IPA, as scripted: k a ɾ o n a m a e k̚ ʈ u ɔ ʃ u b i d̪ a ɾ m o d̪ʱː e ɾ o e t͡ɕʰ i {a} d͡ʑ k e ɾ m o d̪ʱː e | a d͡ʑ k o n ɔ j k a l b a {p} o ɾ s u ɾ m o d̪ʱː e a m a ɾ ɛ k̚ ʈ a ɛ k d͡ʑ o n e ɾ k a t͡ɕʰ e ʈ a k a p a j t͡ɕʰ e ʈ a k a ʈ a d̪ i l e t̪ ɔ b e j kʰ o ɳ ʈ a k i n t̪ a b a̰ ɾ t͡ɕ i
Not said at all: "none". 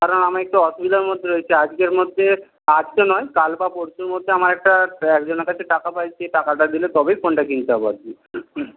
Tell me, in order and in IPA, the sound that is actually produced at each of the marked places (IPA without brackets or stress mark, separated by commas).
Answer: a, p